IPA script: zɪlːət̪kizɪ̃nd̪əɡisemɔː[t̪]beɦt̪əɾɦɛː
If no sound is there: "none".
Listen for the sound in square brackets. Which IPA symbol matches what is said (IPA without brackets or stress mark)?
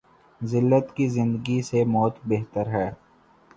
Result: t̪